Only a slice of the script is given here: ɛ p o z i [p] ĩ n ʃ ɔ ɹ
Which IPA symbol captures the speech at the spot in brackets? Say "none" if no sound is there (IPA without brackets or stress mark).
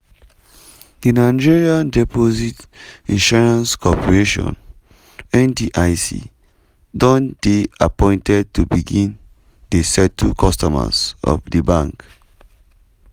t